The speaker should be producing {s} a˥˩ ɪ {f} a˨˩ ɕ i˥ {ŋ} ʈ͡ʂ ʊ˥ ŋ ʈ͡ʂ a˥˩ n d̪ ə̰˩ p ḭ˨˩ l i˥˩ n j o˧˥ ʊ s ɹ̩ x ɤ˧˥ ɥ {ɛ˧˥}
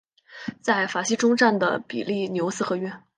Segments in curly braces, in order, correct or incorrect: incorrect: t͡s, correct, incorrect: none, incorrect: ɛ˥˩

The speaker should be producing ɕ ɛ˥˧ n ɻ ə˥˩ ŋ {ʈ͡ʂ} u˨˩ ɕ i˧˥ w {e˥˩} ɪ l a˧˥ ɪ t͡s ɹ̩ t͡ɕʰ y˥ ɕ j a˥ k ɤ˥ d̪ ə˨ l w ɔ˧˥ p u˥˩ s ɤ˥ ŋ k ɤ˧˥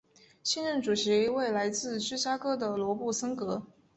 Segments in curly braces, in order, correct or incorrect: correct, correct

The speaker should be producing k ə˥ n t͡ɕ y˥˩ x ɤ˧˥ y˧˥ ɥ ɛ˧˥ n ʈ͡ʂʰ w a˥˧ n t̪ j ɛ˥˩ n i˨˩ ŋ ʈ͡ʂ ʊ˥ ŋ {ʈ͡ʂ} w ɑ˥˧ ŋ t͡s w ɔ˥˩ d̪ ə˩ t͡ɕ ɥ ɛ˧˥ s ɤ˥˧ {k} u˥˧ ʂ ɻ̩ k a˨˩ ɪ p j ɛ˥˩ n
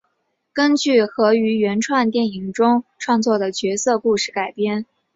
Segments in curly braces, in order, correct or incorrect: incorrect: ʈ͡ʂʰ, correct

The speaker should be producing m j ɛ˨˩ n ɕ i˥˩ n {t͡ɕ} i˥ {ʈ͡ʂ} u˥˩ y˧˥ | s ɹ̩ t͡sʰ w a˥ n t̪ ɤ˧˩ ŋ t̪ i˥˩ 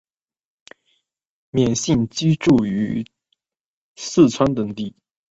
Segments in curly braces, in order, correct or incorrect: correct, correct

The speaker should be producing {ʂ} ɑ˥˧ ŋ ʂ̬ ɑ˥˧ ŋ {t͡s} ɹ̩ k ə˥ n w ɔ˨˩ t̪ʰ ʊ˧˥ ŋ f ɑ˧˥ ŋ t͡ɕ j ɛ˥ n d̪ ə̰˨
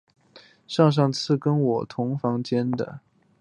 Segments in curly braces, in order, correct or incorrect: correct, incorrect: t͡sʰ

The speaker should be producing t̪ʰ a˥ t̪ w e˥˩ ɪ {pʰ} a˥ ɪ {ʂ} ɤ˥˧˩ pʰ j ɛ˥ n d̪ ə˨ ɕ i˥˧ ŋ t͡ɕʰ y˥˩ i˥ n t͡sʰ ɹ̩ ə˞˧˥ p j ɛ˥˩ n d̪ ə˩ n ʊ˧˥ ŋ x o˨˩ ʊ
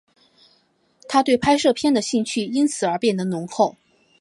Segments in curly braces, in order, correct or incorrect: correct, correct

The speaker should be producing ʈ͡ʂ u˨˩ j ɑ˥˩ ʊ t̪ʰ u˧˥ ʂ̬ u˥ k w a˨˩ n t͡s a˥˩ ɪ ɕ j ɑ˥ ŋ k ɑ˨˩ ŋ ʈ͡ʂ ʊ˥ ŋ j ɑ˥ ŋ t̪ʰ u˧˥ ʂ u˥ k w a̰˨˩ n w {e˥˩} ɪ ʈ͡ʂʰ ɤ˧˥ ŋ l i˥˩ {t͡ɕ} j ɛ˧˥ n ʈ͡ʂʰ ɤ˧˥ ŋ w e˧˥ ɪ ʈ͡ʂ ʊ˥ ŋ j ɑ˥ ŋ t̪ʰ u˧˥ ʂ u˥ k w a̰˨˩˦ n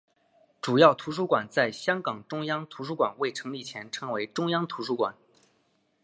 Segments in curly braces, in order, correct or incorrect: correct, incorrect: t͡ɕʰ

